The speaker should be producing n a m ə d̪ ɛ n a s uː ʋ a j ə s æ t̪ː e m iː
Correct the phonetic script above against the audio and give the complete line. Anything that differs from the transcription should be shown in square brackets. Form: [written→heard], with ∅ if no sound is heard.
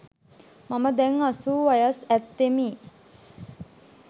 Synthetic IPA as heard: [n→m] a m ə d̪ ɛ [n→ŋ] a s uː ʋ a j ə s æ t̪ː e m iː